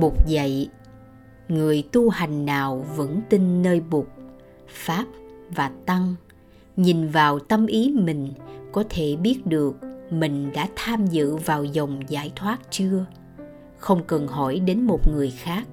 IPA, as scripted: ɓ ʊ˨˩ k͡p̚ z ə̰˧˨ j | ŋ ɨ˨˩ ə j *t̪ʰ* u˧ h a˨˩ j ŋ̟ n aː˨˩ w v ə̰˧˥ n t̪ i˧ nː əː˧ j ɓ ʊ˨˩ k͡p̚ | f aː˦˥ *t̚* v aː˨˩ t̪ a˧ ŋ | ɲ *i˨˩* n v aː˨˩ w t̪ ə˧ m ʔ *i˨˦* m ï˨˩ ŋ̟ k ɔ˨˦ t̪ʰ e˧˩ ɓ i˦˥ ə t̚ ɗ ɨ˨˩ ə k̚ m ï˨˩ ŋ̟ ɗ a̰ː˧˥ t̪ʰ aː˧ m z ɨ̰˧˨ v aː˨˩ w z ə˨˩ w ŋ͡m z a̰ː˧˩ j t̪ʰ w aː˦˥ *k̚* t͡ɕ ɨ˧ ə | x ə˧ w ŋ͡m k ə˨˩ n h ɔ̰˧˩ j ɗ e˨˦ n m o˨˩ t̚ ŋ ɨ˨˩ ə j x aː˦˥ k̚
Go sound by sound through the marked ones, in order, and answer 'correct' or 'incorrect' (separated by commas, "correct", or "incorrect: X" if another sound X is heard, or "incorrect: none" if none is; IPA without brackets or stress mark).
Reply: incorrect: t̪, incorrect: p̚, correct, correct, incorrect: t̚